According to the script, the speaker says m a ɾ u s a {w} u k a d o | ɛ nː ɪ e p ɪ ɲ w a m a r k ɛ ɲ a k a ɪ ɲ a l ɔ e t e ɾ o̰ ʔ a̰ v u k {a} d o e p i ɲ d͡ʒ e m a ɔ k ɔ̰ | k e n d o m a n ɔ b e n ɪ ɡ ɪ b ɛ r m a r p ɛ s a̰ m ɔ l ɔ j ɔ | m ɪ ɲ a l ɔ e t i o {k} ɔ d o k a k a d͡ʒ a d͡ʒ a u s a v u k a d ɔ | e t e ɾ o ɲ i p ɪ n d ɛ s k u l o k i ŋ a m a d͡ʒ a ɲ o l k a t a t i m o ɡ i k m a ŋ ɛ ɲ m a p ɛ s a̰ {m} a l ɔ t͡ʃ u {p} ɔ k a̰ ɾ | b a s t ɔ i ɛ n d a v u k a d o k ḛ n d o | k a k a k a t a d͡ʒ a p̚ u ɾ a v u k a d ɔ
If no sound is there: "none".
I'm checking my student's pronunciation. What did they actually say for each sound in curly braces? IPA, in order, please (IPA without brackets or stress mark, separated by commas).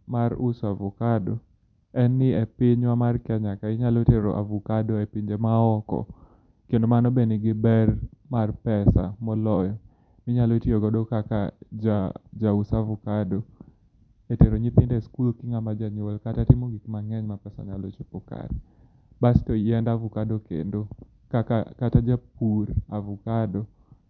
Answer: v, a, ɡ, ɲ, p